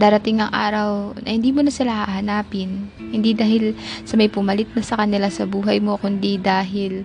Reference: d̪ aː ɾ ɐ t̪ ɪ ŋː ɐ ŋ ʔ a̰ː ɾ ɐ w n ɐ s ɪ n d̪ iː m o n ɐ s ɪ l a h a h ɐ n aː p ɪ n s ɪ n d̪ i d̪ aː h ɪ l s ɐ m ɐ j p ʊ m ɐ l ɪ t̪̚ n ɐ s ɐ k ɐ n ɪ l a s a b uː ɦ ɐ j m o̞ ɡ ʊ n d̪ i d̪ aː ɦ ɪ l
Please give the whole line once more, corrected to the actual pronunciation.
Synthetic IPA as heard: d̪ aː ɾ ɐ t̪ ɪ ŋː ɐ ŋ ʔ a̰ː ɾ ɐ w n ɐ h ɪ n d̪ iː m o n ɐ s ɪ l a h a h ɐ n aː p ɪ n h ɪ n d̪ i d̪ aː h ɪ l s ɐ m ɐ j p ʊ m ɐ l ɪ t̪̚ n ɐ s ɐ k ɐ n ɪ l a s ɐ b uː ɦ ɐ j m o̞ k ʊ n d̪ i d̪ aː ɦ ɪ l